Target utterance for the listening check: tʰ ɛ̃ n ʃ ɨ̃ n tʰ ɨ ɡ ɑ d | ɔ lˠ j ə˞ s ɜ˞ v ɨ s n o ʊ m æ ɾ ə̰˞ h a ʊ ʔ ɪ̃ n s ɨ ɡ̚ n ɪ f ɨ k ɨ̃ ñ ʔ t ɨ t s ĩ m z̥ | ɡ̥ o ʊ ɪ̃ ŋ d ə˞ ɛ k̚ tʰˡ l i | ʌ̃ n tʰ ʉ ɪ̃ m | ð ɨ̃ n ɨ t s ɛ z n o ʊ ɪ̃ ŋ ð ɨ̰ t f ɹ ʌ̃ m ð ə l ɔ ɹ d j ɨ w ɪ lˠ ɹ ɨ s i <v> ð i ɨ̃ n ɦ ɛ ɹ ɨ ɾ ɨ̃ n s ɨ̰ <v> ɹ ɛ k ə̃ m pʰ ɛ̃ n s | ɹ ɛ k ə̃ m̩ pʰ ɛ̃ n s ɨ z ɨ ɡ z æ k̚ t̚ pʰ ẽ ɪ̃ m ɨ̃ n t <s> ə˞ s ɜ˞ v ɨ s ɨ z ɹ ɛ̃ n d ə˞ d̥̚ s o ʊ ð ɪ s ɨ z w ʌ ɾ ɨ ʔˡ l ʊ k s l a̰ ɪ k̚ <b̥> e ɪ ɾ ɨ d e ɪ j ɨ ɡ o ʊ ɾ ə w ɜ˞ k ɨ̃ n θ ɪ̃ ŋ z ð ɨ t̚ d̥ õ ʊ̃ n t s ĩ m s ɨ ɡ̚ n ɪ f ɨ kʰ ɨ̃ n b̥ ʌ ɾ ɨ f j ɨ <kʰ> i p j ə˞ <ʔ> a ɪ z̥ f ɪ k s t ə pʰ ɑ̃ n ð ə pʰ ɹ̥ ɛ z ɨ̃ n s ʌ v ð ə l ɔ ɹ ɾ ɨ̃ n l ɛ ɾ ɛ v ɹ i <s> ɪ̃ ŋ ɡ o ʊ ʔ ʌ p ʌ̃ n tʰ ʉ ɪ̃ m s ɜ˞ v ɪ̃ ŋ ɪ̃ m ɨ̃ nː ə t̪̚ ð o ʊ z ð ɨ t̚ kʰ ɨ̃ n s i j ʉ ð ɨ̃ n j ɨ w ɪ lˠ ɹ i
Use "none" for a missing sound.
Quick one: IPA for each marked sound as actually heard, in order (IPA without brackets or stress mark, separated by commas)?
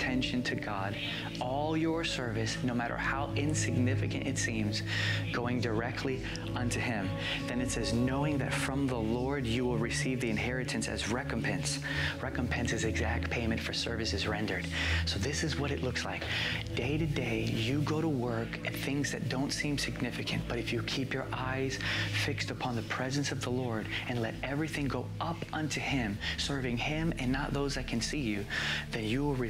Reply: v, z, f, d̥, kʰ, ʔ, θ